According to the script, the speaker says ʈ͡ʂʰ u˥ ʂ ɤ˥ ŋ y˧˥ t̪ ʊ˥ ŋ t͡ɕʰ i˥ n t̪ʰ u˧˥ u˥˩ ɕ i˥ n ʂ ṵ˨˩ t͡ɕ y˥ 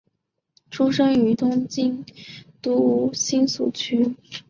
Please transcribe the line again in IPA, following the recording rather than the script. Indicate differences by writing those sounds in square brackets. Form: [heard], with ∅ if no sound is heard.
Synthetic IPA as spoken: ʈ͡ʂʰ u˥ ʂ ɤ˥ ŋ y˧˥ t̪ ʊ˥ ŋ [t͡ɕ] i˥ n [t̪] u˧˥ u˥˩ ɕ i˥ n [s] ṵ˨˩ [t͡ɕʰ] y˥